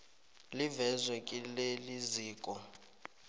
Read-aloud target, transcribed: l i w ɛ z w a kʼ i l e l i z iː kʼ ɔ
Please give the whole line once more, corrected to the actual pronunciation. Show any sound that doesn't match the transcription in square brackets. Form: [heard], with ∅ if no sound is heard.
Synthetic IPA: l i [v] ɛ z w [ɛ] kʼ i l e l i z iː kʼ ɔ